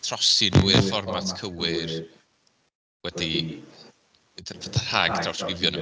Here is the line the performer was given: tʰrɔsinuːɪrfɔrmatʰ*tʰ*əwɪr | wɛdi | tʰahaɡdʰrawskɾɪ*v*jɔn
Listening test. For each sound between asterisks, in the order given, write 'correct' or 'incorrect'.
incorrect, correct

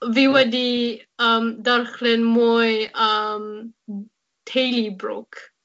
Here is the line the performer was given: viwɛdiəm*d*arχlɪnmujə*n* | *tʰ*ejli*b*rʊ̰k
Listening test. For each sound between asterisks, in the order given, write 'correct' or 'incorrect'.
correct, incorrect, correct, correct

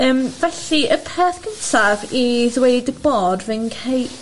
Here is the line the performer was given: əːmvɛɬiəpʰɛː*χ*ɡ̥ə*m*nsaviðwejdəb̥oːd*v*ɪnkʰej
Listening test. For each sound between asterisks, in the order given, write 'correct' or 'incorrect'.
incorrect, incorrect, correct

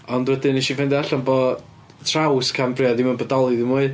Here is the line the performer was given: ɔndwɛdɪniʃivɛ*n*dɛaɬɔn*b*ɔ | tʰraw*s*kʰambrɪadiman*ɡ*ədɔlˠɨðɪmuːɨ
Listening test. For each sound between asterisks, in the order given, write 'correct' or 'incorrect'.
correct, correct, correct, incorrect

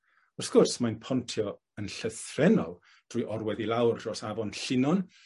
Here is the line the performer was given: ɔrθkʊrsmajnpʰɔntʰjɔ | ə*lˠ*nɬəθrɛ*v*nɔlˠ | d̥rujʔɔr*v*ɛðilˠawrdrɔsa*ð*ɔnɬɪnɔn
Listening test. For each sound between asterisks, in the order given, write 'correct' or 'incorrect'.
incorrect, incorrect, incorrect, incorrect

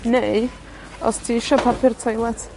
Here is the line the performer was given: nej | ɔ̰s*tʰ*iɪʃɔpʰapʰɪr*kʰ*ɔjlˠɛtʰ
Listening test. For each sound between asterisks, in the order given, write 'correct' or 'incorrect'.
correct, incorrect

